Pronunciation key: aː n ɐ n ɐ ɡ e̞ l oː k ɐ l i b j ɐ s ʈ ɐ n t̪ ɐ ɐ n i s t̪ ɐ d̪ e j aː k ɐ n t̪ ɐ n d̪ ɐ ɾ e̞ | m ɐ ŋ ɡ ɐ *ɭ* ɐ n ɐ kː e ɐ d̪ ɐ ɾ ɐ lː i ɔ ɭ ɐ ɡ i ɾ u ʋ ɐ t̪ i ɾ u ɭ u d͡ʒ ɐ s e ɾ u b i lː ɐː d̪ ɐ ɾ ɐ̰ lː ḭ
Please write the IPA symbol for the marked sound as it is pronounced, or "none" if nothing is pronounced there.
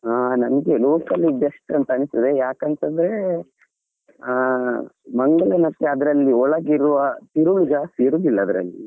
ɭ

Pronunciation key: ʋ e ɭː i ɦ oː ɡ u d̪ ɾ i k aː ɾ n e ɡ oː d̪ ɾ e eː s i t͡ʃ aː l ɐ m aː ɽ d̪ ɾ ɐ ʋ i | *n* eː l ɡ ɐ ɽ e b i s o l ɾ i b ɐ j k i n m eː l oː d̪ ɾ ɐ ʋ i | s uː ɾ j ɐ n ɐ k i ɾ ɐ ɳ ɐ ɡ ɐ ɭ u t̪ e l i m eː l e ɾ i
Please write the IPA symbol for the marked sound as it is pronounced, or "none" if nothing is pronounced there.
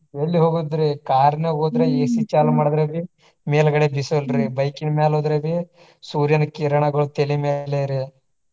m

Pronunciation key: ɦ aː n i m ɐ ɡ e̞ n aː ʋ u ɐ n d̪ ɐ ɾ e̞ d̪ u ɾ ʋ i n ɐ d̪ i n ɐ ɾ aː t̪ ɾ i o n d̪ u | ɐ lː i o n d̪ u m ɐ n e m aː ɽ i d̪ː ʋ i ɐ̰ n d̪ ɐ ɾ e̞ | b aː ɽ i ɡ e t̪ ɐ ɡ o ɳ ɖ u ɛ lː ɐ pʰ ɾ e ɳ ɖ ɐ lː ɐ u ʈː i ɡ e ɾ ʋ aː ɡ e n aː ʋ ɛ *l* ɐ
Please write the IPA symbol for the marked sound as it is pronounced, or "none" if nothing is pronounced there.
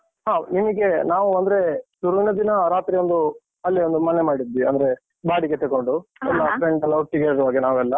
lː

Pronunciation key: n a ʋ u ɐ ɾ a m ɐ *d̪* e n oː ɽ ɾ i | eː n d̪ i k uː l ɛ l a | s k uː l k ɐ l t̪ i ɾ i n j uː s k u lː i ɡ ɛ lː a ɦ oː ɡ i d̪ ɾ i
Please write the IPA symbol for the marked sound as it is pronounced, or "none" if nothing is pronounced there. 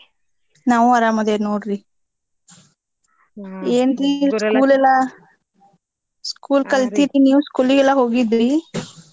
d̪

